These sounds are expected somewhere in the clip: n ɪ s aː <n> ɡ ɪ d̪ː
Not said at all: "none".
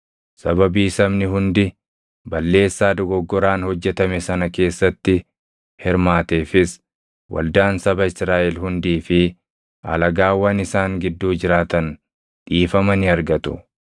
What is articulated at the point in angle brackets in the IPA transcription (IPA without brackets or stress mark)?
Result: ŋ